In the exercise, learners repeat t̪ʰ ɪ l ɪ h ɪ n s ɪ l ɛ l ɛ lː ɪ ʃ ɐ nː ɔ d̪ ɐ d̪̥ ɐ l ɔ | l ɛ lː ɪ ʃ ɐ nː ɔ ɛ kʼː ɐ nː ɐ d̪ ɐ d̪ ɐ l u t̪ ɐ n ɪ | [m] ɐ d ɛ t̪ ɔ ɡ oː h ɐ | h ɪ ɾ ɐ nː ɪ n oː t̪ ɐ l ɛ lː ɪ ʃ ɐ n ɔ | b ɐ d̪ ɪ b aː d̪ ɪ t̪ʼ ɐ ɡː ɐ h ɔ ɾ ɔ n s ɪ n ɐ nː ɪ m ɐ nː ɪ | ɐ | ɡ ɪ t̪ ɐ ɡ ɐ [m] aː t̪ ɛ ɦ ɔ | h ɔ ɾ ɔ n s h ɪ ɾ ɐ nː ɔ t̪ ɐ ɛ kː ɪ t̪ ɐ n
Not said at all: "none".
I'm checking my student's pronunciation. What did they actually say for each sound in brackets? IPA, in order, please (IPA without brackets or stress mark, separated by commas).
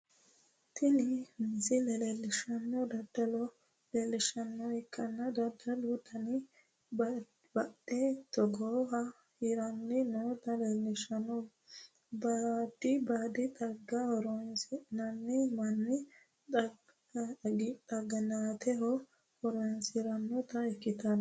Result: b, n